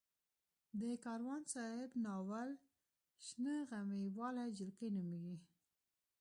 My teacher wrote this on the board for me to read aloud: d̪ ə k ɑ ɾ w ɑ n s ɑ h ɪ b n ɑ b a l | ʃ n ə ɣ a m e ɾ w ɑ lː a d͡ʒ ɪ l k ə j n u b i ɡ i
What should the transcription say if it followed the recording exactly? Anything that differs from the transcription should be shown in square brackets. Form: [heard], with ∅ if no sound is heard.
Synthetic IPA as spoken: d̪ ə k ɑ ɾ w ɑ n s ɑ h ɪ b n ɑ [w] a l | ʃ n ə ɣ a m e [∅] w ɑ [l] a d͡ʒ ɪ l k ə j n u [m] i ɡ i